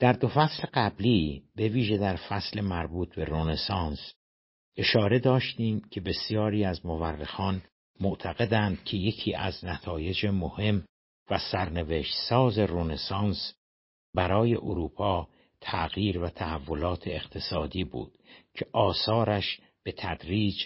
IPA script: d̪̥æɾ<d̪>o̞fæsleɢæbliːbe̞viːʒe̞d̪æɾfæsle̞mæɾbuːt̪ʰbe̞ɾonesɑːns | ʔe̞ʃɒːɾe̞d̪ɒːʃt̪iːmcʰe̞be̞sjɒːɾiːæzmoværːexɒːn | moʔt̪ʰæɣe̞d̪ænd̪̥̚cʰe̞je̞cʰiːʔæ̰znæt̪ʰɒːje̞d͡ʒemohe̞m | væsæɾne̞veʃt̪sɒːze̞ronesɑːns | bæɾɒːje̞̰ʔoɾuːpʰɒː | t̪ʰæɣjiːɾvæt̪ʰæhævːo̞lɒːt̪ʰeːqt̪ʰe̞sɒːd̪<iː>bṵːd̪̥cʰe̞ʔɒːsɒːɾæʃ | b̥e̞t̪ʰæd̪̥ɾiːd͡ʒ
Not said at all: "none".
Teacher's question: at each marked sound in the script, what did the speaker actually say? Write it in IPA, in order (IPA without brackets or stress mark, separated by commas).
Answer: d̪, iː